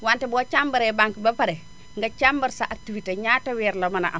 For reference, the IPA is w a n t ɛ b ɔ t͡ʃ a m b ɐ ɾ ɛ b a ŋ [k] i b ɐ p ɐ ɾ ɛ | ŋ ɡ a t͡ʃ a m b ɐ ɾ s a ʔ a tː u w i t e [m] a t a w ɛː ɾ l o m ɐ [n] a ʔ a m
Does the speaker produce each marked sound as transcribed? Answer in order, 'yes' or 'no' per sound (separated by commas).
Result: yes, no, yes